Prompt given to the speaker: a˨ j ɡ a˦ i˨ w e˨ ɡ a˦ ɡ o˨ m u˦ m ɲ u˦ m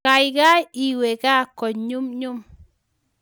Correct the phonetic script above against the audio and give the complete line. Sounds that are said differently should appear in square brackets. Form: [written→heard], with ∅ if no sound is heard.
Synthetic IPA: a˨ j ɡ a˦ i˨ w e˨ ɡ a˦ [ɡ→k] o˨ [m→ɲ] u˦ m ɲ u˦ m

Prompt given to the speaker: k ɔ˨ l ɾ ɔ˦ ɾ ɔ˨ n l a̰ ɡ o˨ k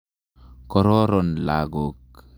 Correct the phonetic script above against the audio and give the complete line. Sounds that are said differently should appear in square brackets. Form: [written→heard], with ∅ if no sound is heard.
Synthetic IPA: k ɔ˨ [l→∅] ɾ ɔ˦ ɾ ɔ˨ n l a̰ ɡ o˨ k

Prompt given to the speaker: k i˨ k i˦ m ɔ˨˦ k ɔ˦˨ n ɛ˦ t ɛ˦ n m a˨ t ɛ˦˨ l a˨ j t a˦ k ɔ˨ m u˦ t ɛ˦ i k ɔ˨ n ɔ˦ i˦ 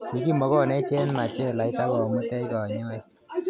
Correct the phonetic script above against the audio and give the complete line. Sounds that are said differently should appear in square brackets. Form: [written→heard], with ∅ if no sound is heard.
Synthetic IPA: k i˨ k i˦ m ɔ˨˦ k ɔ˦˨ n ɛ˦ [t→t͡ʃ] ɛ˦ n m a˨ [t→t͡ʃ] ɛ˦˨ l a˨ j t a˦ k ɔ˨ m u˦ t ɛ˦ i k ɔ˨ [n→ɲ] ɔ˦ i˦

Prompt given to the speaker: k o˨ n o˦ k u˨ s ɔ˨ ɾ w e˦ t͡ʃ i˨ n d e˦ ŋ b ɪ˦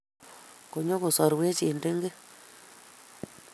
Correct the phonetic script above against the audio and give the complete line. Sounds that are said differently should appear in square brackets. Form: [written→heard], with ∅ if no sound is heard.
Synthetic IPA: k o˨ [n→ɲ] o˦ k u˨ s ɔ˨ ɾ w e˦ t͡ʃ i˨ n d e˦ ŋ [b→ɡ] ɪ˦

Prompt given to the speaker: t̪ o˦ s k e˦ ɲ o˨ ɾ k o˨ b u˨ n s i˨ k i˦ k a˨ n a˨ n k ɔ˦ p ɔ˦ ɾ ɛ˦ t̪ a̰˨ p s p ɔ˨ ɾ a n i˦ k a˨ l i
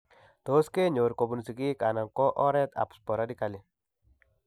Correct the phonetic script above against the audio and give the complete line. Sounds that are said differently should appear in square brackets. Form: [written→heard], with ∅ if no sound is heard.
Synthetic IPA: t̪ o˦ s k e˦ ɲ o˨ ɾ k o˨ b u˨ n s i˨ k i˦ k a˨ n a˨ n k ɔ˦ [p→ʔ] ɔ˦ ɾ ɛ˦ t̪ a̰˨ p s p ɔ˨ ɾ a [n→d] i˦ k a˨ l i

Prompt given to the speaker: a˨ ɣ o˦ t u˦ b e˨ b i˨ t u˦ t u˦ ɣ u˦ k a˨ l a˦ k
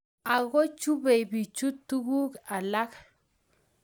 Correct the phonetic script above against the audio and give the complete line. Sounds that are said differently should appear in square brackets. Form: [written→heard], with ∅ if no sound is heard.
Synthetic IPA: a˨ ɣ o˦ [t→t͡ʃ] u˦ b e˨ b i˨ [t→t͡ʃ] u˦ t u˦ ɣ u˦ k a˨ l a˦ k

